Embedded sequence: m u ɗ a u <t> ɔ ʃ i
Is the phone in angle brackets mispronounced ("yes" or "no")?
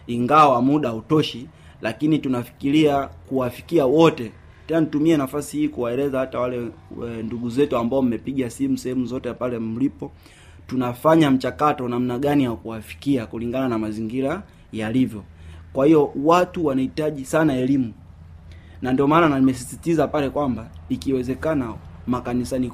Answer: no